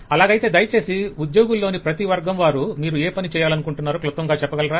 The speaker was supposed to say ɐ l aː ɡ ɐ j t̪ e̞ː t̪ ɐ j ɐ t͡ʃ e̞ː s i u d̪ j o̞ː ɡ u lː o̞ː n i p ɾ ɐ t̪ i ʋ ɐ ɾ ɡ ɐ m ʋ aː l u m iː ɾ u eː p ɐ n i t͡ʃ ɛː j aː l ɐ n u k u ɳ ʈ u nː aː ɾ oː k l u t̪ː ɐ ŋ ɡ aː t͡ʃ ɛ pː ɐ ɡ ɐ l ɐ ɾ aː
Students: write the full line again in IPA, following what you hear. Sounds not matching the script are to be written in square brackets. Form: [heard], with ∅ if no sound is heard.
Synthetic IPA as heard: ɐ l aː ɡ ɐ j t̪ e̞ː [d̪] ɐ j ɐ t͡ʃ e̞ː s i u d̪ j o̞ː ɡ u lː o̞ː n i p ɾ ɐ t̪ i ʋ ɐ ɾ ɡ ɐ m ʋ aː [ɾ] u m iː ɾ u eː p ɐ n i t͡ʃ ɛː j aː l ɐ n u k u ɳ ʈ u nː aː ɾ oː k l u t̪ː ɐ ŋ ɡ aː t͡ʃ ɛ pː ɐ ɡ ɐ l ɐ ɾ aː